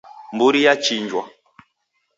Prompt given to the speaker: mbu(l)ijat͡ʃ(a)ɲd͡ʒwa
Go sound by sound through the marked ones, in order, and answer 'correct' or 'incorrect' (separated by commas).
incorrect, incorrect